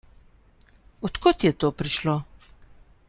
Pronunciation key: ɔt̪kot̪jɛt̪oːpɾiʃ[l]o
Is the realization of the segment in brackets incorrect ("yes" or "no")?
no